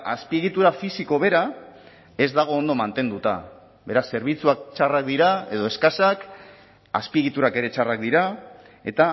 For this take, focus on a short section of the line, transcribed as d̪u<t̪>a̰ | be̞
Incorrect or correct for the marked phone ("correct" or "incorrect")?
correct